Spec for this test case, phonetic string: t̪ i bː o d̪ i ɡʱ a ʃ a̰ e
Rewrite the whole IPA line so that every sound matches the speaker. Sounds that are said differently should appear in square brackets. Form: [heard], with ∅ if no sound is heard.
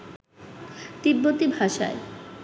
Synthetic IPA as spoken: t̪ i bː o [t̪] i [bʱ] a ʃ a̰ e